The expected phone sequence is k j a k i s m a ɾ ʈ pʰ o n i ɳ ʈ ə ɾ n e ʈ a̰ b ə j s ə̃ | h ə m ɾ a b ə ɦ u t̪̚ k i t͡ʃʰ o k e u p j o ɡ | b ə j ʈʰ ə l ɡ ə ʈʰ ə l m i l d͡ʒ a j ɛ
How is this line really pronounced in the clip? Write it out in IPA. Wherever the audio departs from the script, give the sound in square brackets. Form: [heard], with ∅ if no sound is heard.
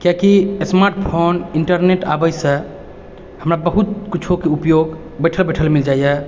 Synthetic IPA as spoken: k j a k i s m a ɾ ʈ pʰ o n i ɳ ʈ ə ɾ n e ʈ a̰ b ə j s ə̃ | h ə m ɾ a b ə ɦ u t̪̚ k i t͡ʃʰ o k e u p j o ɡ | b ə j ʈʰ ə l [b] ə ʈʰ ə l m i l d͡ʒ a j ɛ